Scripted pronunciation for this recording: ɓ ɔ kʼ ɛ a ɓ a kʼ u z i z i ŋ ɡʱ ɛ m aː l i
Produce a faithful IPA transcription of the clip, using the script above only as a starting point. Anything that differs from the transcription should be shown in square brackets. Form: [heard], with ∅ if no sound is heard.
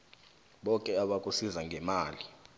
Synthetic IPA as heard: ɓ ɔ kʼ ɛ a ɓ a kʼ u [s] i z [a] ŋ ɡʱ ɛ m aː l i